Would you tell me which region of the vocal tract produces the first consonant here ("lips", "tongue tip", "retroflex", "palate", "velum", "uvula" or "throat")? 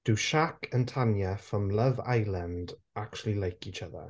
tongue tip